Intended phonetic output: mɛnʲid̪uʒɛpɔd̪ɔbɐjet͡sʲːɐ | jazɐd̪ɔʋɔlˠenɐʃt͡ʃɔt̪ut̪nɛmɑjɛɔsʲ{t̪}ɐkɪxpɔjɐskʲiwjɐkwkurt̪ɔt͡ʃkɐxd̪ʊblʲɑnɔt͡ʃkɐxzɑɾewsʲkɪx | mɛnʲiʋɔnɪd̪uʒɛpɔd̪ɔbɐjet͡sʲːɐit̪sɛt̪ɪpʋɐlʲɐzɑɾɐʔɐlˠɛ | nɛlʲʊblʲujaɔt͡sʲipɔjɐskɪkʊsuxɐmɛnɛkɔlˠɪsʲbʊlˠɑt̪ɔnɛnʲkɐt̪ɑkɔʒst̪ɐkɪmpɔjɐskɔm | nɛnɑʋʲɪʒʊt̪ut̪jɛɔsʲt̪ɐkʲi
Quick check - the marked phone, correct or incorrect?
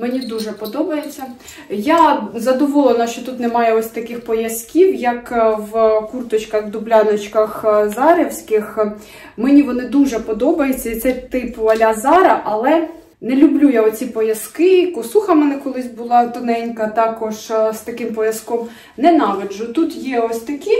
correct